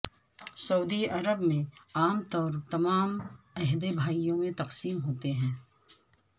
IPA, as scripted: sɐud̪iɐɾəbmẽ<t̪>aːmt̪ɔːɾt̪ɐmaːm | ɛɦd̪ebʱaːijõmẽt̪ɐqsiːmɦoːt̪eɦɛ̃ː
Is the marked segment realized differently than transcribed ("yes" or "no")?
yes